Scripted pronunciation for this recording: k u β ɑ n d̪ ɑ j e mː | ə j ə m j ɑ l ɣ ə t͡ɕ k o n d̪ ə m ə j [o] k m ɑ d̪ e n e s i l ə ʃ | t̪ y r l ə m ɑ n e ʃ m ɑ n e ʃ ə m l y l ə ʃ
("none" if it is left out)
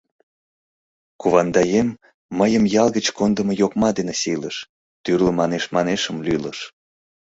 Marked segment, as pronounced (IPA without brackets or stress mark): o